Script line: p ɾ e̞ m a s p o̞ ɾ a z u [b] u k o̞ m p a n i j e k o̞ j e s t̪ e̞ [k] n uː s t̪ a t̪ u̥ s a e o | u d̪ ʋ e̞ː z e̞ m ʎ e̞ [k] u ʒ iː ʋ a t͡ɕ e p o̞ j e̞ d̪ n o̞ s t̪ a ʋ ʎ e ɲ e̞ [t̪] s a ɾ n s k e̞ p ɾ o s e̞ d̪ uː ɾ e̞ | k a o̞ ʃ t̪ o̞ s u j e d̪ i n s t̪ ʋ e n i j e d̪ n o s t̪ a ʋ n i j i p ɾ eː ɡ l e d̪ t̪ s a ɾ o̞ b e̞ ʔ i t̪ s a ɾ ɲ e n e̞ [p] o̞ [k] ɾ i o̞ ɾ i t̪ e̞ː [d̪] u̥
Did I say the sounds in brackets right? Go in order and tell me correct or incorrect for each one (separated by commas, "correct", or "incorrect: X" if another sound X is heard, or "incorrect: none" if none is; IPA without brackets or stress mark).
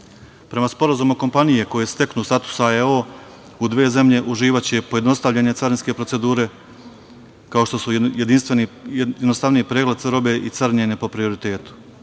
incorrect: m, correct, incorrect: ʔ, correct, correct, incorrect: p, incorrect: t̪